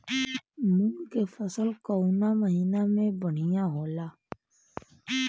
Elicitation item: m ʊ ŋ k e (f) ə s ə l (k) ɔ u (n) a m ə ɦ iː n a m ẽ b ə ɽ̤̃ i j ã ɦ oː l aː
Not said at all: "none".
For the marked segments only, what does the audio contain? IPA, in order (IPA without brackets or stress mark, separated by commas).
f, k, n